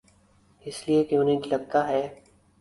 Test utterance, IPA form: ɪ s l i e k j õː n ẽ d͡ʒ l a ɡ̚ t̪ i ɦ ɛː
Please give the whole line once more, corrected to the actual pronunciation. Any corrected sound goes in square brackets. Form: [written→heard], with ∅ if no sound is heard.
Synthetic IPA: ɪ s l i e k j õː n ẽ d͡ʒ l [a→ɐ] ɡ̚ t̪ [i→a] ɦ ɛː